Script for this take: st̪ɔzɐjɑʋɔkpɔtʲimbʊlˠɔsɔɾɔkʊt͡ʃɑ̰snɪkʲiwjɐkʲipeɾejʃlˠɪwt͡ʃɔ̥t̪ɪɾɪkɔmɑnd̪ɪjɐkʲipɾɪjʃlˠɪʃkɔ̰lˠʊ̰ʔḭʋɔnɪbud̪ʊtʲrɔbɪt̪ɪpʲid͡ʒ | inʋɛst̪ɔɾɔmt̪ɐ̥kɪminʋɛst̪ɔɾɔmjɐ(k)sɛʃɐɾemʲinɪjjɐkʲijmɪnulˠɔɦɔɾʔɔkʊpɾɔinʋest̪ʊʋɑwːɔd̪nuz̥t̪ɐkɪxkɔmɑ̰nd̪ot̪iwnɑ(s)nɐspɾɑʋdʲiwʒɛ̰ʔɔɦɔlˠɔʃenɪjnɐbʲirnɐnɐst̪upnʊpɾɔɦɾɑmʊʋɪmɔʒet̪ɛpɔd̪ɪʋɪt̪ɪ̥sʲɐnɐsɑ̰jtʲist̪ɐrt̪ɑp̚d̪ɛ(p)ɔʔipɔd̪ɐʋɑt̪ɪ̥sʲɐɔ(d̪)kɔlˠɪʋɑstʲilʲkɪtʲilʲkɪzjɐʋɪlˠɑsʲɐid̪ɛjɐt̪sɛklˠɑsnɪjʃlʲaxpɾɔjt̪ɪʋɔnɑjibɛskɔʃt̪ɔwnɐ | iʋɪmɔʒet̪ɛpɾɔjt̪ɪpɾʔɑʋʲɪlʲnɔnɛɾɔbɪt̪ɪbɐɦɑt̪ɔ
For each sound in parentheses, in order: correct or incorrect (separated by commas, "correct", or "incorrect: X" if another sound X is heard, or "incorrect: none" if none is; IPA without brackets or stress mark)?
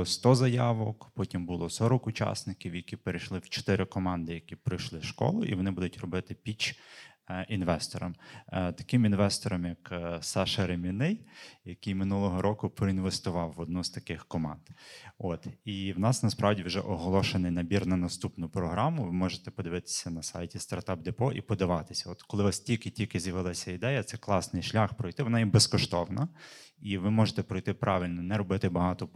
correct, correct, correct, incorrect: t̪